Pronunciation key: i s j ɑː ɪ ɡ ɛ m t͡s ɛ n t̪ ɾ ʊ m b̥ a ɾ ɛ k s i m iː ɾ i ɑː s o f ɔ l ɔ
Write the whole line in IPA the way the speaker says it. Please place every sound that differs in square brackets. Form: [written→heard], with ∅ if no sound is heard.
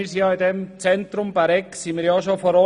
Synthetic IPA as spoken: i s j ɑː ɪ [ɡ→d] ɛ m t͡s ɛ n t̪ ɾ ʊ m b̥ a ɾ ɛ k s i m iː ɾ [i→j] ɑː [s→ʃ] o f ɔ [l→ɾ] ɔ